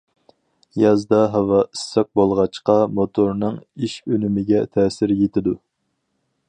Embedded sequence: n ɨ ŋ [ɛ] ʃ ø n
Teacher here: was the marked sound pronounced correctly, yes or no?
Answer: no